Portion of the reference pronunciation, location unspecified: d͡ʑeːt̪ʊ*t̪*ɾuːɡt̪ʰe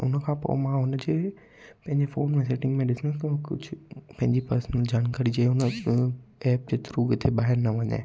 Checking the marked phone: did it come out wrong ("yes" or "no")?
yes